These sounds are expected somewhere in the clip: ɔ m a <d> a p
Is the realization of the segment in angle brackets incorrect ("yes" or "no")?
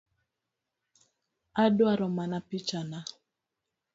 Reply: yes